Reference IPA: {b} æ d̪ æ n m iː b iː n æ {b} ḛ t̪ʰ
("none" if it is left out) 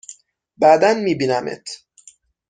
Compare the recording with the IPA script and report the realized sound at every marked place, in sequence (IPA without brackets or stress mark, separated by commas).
b, m